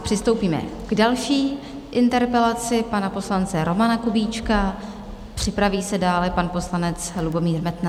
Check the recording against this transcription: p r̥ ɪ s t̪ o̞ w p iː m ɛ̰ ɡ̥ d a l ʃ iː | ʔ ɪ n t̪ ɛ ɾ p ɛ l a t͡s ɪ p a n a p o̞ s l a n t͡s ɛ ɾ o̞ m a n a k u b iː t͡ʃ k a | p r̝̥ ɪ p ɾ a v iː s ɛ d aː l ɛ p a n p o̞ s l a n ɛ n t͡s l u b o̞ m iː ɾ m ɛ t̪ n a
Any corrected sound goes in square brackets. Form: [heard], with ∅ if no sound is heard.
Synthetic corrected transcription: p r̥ ɪ s t̪ o̞ w p iː m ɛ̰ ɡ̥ d a l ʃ iː | ʔ ɪ n t̪ ɛ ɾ p ɛ l a t͡s ɪ p a n a p o̞ s l a n t͡s ɛ ɾ o̞ m a n a k u b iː t͡ʃ k a | p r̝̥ ɪ p ɾ a v iː s ɛ d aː l ɛ p a n p o̞ s l a n ɛ [∅] t͡s l u b o̞ m iː ɾ m ɛ t̪ n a